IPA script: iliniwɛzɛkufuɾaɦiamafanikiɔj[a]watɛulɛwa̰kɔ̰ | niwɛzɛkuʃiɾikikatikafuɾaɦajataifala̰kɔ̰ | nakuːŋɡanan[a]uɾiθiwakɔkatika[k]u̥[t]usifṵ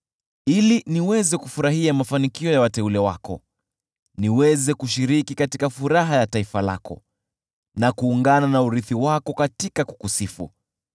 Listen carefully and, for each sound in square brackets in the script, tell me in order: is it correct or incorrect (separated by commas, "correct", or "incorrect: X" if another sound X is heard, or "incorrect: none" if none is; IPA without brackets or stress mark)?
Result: correct, correct, correct, incorrect: k